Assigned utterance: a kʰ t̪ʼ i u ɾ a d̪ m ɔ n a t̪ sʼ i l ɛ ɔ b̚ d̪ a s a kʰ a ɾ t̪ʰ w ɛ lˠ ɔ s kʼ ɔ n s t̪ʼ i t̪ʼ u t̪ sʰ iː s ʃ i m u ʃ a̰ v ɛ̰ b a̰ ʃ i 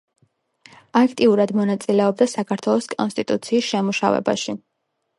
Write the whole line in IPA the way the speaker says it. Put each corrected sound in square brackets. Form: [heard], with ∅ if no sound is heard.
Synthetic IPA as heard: a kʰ t̪ʼ i u ɾ a d̪ m ɔ n a t̪ sʼ i l ɛ ɔ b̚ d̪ a s a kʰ a ɾ t̪ʰ w ɛ lˠ ɔ s kʼ ɔ n s t̪ʼ i t̪ʼ u t̪ sʰ iː s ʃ [ɛ] m u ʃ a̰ v ɛ̰ b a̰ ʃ i